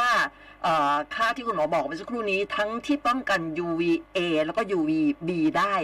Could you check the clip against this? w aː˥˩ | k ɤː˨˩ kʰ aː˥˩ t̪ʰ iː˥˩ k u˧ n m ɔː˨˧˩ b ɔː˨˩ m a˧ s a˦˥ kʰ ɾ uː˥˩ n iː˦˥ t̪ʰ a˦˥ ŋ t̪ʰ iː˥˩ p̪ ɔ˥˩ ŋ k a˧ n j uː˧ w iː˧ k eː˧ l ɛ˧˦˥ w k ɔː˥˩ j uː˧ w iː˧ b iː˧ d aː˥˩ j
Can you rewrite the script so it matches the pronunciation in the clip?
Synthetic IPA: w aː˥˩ | ʔ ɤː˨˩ kʰ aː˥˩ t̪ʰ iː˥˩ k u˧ n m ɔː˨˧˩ b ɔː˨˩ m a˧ s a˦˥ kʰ ɾ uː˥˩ n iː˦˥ t̪ʰ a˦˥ ŋ t̪ʰ iː˥˩ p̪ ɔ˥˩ ŋ k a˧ n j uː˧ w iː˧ ʔ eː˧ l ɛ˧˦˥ w k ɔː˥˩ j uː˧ w iː˧ b iː˧ d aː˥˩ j